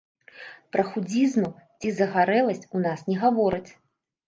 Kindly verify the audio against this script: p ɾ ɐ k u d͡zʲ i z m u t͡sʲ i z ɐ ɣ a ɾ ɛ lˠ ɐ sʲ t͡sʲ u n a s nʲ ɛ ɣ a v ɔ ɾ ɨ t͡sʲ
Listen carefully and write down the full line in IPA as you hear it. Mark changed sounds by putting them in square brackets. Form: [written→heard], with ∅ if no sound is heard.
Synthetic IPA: p ɾ ɐ [k→x] u d͡zʲ i z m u t͡sʲ i z ɐ ɣ a ɾ ɛ lˠ ɐ sʲ t͡sʲ u n a s nʲ ɛ ɣ a v ɔ ɾ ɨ t͡sʲ